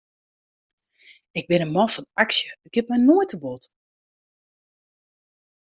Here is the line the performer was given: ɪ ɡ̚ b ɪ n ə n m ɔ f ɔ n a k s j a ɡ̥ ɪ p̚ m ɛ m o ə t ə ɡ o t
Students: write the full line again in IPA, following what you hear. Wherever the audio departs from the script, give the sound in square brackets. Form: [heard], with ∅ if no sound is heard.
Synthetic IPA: ɪ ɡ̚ b ɪ n ə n m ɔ f ɔ n a k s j [ə] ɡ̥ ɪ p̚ m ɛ [n] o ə t ə [b] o t